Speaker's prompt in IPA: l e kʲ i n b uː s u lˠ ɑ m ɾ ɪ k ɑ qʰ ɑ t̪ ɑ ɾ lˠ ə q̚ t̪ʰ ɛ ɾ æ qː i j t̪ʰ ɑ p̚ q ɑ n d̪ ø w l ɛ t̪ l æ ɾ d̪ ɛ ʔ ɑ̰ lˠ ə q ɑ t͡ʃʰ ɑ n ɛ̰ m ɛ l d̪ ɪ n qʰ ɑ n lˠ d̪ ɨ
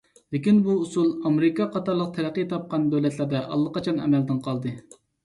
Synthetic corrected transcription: l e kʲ i n b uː s u lˠ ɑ m ɾ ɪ k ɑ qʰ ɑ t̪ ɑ ɾ lˠ ə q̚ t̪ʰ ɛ ɾ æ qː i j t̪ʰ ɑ p̚ q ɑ n d̪ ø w l ɛ t̪ l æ ɾ d̪ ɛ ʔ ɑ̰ lˠː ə q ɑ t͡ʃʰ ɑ n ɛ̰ m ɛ l d̪ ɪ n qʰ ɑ lˠ d̪ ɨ